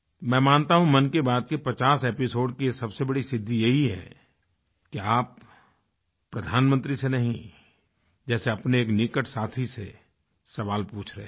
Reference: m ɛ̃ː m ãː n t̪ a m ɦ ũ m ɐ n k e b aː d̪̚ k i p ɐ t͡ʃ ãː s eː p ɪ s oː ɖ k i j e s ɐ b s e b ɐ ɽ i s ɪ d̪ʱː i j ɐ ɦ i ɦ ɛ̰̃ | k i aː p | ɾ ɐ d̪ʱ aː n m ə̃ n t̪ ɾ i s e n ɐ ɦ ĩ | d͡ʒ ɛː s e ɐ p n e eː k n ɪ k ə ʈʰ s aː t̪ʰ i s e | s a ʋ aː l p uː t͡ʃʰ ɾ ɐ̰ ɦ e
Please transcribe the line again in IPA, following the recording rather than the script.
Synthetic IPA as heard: m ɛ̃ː m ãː n t̪ a ɦ ũ m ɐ n k e b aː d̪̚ k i p ɐ t͡ʃ aː s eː p ɪ s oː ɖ k i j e s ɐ b s e b ɐ ɽ i s ɪ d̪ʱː i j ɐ ɦ i ɦ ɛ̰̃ | k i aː p | ɾ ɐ d̪ʱ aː n m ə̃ n t̪ ɾ i s e n ɐ ɦ ĩ | d͡ʒ ɛː s e ɐ p n e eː k n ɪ k ə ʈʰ s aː t̪ʰ i s e | s ɐ ʋ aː l p uː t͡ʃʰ ɾ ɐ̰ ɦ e